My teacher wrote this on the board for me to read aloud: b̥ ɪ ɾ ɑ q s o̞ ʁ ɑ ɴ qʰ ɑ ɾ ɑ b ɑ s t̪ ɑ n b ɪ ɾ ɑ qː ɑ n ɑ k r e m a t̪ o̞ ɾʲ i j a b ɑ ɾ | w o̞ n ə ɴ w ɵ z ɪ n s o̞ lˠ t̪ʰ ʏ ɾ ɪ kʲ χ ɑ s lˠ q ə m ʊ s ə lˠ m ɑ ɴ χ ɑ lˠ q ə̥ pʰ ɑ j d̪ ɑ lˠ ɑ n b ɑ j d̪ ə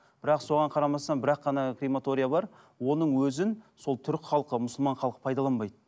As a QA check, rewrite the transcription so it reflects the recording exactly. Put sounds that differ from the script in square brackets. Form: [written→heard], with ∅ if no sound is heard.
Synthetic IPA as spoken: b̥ ɪ ɾ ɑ q s o̞ ʁ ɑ ɴ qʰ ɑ ɾ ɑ [b→m] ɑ s t̪ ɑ n b ɪ ɾ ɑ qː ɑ n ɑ k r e m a t̪ o̞ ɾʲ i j a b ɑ ɾ | w o̞ n ə ɴ w ɵ z ɪ n s o̞ lˠ t̪ʰ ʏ ɾ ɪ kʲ χ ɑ [s→∅] lˠ q ə m ʊ s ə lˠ m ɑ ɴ χ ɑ lˠ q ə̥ pʰ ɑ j d̪ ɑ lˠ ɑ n b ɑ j d̪ ə

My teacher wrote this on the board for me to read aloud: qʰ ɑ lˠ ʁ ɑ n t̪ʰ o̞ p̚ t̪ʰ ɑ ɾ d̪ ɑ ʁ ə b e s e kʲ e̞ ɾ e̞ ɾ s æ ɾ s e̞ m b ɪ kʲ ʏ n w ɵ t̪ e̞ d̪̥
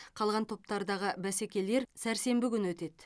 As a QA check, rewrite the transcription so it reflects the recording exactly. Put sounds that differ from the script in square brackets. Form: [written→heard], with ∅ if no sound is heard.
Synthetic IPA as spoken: qʰ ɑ lˠ ʁ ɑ n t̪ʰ o̞ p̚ [t̪ʰ→t̪] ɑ ɾ d̪ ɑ ʁ ə b [e→æ] s e kʲ e̞ [ɾ→l] e̞ ɾ s æ ɾ s e̞ m b ɪ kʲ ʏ n w ɵ t̪ e̞ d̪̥

